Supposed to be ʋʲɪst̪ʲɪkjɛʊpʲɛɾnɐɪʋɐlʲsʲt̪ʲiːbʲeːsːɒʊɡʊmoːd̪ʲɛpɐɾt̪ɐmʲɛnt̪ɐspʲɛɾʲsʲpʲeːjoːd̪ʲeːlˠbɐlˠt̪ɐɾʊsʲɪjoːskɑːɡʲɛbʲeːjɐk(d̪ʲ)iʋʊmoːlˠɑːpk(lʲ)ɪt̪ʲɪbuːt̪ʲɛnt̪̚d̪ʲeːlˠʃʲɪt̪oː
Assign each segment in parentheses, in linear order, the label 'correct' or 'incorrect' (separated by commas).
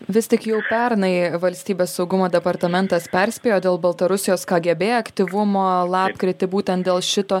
incorrect, incorrect